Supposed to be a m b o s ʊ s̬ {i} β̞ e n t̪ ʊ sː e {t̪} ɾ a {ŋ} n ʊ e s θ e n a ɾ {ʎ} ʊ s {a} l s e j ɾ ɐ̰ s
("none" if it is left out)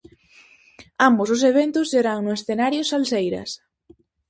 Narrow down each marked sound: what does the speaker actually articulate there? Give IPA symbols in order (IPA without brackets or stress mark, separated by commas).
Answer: e, none, ŋ, j, a